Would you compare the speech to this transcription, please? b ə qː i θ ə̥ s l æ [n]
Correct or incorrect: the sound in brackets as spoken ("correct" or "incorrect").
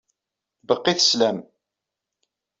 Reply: incorrect